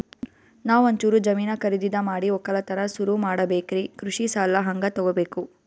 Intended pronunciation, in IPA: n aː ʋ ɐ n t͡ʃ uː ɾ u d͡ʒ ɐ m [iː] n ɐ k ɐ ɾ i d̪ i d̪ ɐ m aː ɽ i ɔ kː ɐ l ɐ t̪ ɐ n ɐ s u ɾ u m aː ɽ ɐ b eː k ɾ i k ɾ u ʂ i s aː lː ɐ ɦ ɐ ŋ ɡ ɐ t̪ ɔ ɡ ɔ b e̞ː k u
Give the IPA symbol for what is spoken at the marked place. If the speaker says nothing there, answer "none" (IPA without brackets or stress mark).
iː